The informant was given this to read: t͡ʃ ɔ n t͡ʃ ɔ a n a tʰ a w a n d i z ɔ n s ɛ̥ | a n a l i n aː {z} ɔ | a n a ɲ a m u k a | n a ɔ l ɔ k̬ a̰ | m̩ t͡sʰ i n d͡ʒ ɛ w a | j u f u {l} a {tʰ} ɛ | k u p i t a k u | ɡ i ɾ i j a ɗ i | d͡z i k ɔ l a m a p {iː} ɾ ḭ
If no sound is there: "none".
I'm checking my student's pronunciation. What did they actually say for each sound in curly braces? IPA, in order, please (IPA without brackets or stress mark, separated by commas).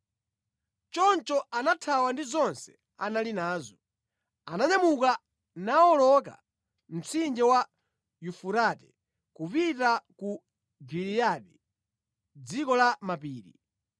z, ɾ, t, iː